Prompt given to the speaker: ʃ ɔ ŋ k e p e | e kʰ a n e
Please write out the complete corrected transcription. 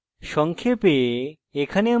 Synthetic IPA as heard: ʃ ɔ ŋ kʰ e p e | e kʰ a n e